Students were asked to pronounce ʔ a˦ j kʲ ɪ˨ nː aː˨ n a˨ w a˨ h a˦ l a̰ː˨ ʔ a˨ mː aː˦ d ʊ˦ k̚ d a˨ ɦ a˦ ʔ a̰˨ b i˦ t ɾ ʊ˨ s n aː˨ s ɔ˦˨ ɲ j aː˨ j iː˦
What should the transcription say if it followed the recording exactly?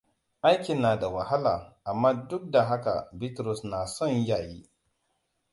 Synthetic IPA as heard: ʔ a˦ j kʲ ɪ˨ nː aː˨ d a˨ w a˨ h a˦ l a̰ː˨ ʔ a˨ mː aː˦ d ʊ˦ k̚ d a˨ ɦ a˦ k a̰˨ b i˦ t ɾ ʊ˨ s n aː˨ s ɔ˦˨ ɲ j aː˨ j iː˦